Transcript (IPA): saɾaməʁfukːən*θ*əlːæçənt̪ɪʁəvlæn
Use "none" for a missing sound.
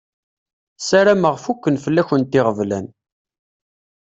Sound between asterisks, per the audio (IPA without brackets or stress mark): f